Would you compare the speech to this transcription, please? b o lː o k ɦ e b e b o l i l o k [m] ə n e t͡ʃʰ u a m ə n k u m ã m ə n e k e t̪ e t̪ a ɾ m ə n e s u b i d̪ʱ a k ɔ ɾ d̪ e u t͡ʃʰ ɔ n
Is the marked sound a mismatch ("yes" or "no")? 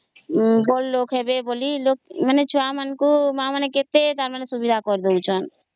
no